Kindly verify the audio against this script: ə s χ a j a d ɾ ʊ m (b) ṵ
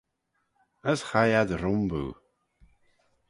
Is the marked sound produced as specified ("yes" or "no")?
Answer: yes